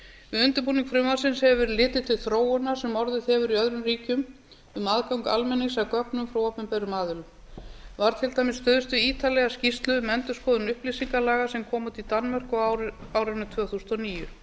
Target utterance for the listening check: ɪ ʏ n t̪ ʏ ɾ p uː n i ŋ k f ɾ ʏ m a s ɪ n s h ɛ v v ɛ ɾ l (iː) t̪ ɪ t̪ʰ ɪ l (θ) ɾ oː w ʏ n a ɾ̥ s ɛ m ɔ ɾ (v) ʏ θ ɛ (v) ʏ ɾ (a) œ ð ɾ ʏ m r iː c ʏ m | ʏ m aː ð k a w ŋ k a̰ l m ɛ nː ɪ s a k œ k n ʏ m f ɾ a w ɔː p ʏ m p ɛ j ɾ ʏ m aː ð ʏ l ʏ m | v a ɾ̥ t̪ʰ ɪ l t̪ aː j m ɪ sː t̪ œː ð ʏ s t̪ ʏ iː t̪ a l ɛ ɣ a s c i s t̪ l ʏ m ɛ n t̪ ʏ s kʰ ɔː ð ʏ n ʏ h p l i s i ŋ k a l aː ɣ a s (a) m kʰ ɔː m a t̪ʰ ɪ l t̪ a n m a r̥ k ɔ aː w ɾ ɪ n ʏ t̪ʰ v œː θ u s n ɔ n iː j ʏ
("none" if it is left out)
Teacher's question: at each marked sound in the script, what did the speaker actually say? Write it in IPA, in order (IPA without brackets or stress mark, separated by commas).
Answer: ɪː, θ, ð, v, i, ɛ